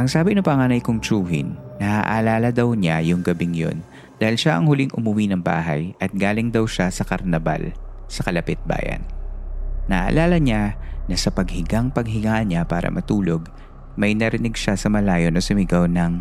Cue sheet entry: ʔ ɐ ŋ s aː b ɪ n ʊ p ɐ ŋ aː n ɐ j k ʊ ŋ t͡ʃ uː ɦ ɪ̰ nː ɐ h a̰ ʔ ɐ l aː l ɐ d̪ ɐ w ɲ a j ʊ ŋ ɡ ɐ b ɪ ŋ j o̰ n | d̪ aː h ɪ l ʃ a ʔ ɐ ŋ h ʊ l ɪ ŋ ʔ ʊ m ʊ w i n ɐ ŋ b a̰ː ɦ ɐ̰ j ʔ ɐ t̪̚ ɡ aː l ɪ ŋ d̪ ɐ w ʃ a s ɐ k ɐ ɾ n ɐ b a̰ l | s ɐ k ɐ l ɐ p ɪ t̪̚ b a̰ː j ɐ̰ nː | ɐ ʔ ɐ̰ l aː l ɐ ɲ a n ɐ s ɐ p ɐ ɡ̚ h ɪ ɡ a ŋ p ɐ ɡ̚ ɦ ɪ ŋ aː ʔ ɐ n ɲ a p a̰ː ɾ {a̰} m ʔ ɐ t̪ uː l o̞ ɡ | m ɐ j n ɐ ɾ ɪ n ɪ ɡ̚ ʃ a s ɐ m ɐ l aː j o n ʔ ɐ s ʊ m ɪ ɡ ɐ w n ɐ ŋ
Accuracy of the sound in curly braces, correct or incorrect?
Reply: incorrect